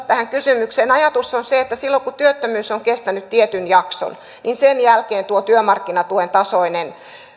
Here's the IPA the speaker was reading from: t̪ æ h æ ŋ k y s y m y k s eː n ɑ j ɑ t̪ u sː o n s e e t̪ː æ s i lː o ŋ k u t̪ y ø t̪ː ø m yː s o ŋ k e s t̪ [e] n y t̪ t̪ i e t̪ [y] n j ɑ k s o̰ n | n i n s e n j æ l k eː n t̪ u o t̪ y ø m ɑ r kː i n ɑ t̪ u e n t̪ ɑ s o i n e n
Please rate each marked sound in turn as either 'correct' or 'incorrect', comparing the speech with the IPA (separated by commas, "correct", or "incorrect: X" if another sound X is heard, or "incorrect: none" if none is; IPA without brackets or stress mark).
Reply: incorrect: æ, correct